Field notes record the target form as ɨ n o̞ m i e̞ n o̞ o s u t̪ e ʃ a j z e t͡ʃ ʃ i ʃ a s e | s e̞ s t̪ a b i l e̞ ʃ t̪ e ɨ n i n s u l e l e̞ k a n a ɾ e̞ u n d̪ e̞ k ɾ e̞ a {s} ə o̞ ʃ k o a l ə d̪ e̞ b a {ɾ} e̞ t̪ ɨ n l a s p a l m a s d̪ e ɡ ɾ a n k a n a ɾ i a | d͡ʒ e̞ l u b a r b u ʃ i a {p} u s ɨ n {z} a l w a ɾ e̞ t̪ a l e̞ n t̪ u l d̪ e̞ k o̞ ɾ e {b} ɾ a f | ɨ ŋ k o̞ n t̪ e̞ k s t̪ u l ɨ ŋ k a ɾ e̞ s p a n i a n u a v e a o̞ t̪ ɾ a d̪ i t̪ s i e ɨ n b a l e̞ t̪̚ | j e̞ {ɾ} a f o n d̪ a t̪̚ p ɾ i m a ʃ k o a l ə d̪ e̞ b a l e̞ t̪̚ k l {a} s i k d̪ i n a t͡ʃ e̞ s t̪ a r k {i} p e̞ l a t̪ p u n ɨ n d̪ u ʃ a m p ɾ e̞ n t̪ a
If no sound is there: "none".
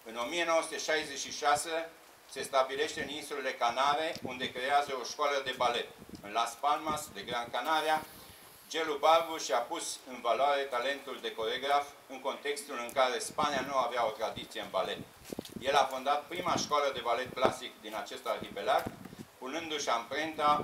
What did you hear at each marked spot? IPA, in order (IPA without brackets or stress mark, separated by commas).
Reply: z, l, p, v, ɡ, l, a, i